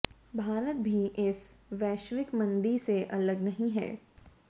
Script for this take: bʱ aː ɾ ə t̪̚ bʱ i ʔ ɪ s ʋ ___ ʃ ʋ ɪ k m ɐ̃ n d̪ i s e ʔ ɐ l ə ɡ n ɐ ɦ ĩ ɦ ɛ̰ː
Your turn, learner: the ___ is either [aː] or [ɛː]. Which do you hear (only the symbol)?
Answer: ɛː